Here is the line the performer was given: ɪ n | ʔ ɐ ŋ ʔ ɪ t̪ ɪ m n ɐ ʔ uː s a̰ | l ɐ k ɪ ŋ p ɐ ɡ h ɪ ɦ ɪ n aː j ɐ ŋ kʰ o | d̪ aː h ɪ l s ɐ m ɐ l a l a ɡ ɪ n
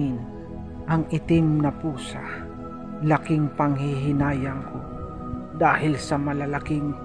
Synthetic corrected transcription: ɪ n | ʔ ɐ ŋ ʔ ɪ t̪ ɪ m n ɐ p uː s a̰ | l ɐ k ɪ ŋ p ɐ ŋ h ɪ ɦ ɪ n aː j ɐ ŋ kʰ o | d̪ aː h ɪ l s ɐ m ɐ l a l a k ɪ ŋ